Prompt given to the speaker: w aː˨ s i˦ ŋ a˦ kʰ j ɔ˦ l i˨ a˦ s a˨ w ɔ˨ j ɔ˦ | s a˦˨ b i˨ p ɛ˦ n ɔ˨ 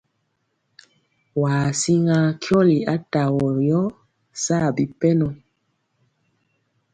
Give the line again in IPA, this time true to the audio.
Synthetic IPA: w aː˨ s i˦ ŋ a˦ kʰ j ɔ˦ l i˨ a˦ t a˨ w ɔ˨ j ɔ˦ | s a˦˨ b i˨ p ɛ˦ n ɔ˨